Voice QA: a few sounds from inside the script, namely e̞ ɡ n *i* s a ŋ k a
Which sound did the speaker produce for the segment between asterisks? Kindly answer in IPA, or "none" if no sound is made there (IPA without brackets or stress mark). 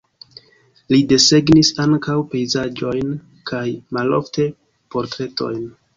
i